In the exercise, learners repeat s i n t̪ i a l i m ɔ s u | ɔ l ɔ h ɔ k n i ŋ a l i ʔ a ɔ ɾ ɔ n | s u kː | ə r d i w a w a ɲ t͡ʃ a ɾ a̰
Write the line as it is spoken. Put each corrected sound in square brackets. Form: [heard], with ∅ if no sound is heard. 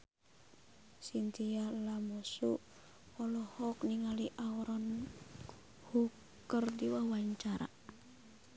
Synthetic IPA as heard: s i n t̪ i a l [a] m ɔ s u | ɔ l ɔ h ɔ k n i ŋ a l i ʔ a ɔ ɾ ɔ n | [h] u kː | ə r d i w a w a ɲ t͡ʃ a ɾ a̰

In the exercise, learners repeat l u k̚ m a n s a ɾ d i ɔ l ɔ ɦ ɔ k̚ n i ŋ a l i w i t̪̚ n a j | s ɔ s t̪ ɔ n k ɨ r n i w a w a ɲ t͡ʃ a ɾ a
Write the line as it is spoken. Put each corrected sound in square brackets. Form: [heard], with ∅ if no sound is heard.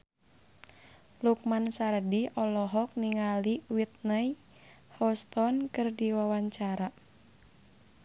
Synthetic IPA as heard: l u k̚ m a n s a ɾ d i ɔ l ɔ ɦ ɔ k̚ n i ŋ a l i w i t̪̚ n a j | [h] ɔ s t̪ ɔ n k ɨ r [d] i w a w a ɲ t͡ʃ a ɾ a

